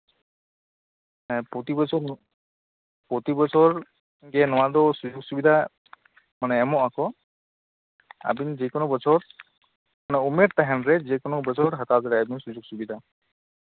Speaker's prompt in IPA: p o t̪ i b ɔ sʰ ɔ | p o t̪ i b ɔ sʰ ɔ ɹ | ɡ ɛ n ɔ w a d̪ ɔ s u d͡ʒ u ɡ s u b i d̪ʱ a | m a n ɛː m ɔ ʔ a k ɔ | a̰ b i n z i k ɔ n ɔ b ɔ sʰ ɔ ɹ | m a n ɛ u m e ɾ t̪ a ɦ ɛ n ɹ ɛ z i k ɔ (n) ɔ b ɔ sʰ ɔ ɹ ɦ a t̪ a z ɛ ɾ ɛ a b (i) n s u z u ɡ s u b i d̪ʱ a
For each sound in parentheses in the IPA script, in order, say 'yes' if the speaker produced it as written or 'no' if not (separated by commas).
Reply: yes, yes